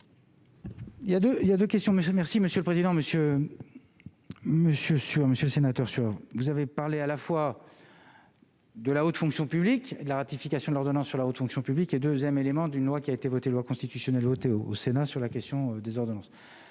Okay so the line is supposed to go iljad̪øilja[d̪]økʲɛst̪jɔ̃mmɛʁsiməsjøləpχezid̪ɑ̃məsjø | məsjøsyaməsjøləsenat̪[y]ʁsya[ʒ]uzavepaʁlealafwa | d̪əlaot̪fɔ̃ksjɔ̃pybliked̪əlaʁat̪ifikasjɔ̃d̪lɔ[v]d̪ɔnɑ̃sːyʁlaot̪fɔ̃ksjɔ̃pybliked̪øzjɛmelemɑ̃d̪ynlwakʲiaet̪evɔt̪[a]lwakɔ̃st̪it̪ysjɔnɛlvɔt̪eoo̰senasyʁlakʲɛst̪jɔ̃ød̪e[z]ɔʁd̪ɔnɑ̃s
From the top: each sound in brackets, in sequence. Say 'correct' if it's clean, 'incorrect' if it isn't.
correct, incorrect: œ, incorrect: v, incorrect: ʁ, incorrect: e, correct

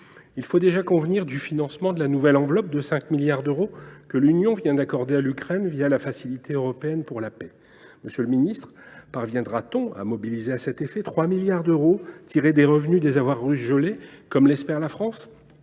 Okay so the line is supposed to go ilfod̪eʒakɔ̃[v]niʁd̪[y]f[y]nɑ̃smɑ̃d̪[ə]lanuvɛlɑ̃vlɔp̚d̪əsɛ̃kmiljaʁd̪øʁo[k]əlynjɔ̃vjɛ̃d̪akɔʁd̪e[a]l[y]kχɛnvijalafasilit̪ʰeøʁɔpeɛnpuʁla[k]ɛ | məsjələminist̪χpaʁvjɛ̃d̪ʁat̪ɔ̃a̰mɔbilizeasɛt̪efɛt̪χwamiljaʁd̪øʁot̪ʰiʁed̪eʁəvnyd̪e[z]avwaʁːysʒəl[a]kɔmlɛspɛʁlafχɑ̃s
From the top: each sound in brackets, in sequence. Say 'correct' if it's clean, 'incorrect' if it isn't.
correct, correct, incorrect: i, correct, correct, correct, correct, incorrect: p, correct, incorrect: e

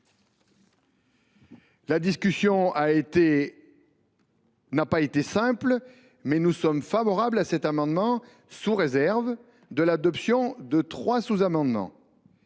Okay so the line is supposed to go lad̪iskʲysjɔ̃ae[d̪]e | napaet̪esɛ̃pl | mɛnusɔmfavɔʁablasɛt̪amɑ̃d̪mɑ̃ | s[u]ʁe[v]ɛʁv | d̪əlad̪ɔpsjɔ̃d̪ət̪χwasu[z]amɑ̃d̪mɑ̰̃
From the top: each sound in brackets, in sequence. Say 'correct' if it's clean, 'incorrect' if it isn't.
incorrect: t̪, correct, incorrect: z, correct

